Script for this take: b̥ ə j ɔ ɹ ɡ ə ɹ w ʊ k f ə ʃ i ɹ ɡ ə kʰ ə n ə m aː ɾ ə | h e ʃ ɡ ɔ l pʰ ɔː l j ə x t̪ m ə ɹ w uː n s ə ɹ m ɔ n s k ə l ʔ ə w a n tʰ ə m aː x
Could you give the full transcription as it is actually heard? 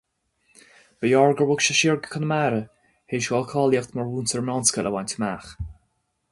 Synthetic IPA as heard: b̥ ə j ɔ ɹ ɡ ə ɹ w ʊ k ʃ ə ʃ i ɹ ɡ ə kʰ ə n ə m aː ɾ ə | h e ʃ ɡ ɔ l kʰ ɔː l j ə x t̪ m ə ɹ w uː n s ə ɹ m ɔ n s k ə l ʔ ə w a n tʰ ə m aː x